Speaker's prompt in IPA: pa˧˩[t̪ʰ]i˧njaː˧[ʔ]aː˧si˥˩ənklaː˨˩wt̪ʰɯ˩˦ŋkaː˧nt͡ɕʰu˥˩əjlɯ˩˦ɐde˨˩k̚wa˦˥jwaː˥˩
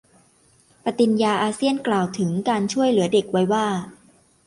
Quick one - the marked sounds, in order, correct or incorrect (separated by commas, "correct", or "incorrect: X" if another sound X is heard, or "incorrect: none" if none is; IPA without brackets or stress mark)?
incorrect: t̪, correct